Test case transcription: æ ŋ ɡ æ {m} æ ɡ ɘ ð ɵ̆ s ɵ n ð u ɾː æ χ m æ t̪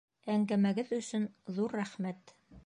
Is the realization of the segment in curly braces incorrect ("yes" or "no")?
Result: no